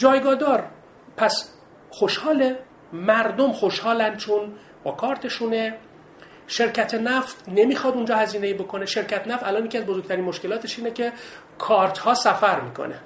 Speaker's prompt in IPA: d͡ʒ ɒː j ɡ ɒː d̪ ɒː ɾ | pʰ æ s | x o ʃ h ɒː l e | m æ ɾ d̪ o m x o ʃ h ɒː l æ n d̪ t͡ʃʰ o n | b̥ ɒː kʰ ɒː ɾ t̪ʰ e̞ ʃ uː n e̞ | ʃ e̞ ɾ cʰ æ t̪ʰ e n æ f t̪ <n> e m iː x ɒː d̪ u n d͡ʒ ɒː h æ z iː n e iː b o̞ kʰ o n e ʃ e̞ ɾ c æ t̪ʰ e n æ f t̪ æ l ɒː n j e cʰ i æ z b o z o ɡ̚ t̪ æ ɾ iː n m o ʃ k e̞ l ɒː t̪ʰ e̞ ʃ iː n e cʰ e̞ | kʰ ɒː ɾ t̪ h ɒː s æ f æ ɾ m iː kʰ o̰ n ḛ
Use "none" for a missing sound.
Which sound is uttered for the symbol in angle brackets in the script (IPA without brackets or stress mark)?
n